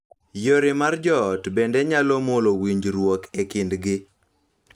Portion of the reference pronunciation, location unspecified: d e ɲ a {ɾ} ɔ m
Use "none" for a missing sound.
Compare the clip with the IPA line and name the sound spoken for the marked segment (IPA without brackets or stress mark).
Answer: l